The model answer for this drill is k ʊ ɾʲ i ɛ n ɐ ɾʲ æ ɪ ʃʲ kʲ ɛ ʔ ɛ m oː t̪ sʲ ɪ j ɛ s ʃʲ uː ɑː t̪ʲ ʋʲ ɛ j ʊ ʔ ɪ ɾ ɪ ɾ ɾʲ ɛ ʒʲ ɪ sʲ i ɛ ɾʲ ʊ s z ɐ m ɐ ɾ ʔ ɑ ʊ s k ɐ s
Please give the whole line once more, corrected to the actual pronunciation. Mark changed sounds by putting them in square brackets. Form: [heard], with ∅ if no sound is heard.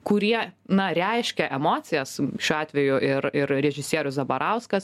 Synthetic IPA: k ʊ ɾʲ i ɛ n ɐ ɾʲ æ ɪ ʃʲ kʲ ɛ ʔ ɛ m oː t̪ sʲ ɪ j ɛ s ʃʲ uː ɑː t̪ʲ ʋʲ ɛ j ʊ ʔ ɪ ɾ ɪ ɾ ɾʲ ɛ ʒʲ ɪ sʲ i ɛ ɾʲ ʊ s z ɐ [b] ɐ ɾ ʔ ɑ ʊ s k ɐ s